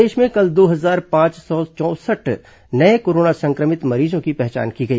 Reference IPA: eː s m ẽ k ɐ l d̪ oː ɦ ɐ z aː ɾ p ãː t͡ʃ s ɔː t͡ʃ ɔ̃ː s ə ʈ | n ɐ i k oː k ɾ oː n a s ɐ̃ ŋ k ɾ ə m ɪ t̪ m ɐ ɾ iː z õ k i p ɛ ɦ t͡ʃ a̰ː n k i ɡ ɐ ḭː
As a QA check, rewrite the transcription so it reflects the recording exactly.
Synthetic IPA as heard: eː ʃ m ẽ k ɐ l d̪ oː ɦ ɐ z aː ɾ p ãː t͡ʃ s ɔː t͡ʃ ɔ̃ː s ə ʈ | n ɐ e k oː ɾ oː n a s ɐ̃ ŋ k ɾ ə m ɪ t̪ m ɐ ɾ iː z õ k i p ɛ ɦ t͡ʃ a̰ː n k i ɡ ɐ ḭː